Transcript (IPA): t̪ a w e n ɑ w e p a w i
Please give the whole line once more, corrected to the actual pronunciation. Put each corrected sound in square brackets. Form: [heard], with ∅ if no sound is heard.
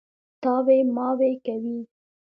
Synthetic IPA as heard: t̪ [ɑ] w e [m] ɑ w e [k] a w i